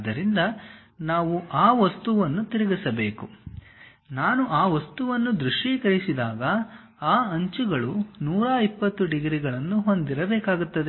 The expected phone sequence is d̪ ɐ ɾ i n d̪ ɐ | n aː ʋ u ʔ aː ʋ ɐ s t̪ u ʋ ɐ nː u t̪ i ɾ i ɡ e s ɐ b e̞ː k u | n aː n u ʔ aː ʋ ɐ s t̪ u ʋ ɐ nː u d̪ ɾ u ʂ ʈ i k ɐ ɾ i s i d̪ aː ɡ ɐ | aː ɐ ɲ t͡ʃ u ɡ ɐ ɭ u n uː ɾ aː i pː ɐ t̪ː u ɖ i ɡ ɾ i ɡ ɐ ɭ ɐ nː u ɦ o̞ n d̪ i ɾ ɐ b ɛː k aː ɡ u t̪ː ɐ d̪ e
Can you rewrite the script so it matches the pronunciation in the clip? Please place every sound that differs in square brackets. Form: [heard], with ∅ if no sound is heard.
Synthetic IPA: d̪ ɐ ɾ i n d̪ ɐ | n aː ʋ u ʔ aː ʋ ɐ s t̪ u ʋ ɐ nː u t̪ i ɾ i ɡ [i] s ɐ b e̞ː k u | n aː n u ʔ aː ʋ ɐ s t̪ u ʋ ɐ nː u d̪ ɾ u ʂ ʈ i k ɐ ɾ i s i d̪ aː ɡ ɐ | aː ɐ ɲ t͡ʃ u ɡ ɐ ɭ u n uː ɾ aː i pː ɐ t̪ː u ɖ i ɡ ɾ i ɡ ɐ ɭ ɐ nː u ɦ o̞ n d̪ i ɾ ɐ b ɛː k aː ɡ u t̪ː ɐ d̪ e